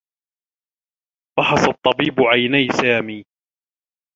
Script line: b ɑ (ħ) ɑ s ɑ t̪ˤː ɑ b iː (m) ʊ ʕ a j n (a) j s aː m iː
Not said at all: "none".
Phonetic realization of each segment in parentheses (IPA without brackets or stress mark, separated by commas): ħ, b, a